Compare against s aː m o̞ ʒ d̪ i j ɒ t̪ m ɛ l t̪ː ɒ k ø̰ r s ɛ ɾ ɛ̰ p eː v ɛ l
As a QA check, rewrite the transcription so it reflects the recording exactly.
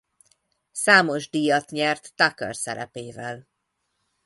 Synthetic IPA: s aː m o̞ ʒ d̪ i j ɒ t̪ ɲ ɛ r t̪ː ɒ k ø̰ r s ɛ ɾ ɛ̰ p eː v ɛ l